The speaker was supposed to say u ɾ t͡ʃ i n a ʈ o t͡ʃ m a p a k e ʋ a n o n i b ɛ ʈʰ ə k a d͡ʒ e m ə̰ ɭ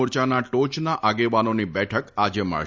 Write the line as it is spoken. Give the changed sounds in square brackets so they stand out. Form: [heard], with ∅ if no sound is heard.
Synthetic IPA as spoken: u ɾ t͡ʃ [a] n a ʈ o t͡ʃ [n] a [ʔ] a [ɡ] e ʋ a n o n i b ɛ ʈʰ ə k a d͡ʒ e m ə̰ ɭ